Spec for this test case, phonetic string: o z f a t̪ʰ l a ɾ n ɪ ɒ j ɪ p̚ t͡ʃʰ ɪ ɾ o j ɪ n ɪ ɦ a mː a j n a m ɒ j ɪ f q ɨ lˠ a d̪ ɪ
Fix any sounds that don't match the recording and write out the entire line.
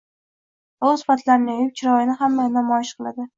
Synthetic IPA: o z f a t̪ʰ l a ɾ n ɪ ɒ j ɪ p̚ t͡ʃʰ ɪ ɾ ɒ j ɪ n ɪ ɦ a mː a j n a m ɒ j ɪ ʃ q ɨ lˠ a d̪ ɪ